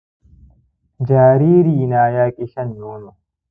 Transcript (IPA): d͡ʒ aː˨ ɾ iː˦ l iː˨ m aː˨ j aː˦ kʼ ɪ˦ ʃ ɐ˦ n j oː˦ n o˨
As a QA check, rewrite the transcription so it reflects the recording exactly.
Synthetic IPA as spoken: d͡ʒ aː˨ ɾ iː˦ ɾ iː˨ n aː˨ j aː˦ kʼ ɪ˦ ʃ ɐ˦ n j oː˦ n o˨